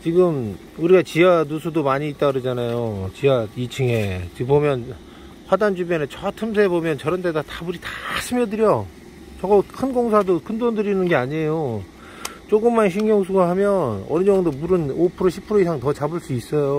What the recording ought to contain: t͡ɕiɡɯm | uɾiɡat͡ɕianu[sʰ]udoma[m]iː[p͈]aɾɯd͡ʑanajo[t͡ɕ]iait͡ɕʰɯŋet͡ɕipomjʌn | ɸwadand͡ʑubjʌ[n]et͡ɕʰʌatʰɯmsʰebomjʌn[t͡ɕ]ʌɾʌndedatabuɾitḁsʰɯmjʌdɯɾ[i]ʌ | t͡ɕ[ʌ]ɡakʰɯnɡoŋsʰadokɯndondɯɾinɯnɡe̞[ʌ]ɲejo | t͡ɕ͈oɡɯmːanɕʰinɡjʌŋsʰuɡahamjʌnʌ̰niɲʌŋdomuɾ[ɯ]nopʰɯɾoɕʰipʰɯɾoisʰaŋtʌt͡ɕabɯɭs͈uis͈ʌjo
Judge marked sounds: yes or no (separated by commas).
yes, no, no, yes, yes, yes, no, yes, no, yes